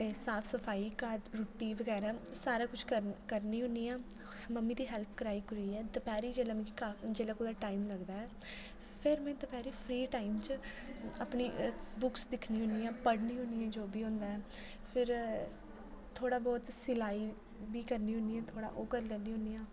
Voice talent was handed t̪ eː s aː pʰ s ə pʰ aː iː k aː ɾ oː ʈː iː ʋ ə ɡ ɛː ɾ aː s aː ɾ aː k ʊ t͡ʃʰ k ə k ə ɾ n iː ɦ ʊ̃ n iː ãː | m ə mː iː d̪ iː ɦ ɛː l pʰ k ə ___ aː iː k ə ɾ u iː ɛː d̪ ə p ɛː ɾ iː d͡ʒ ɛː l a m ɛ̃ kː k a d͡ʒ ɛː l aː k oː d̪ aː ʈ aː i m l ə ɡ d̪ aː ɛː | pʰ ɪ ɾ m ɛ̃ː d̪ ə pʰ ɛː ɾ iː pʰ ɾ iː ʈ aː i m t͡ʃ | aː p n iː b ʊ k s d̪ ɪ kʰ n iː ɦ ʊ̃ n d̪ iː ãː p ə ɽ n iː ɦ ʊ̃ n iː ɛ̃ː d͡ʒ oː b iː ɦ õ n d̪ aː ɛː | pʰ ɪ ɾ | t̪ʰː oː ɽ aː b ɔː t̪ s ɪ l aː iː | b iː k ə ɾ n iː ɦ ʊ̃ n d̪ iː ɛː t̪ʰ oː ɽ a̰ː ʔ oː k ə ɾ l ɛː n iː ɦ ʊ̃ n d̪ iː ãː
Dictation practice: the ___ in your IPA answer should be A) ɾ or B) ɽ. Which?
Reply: A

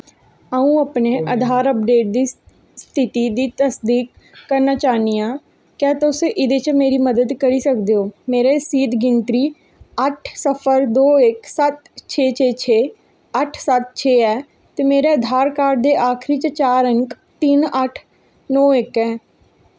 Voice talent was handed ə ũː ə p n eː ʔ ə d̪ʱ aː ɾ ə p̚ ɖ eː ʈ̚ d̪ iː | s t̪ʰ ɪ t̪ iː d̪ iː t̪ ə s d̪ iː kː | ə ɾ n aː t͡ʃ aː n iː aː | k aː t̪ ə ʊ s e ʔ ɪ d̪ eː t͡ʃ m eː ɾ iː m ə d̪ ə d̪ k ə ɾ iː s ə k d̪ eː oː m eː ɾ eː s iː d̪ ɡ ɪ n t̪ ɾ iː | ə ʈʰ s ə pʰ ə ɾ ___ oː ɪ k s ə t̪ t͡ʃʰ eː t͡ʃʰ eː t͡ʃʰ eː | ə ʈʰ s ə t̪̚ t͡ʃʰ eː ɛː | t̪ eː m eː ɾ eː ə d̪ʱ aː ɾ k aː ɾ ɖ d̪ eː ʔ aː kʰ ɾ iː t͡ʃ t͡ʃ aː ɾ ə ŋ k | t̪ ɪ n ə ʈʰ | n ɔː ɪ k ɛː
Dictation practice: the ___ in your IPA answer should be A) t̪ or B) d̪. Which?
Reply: B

